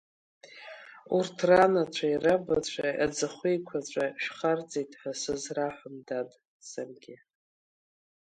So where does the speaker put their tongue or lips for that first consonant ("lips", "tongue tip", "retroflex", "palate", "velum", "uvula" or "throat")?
tongue tip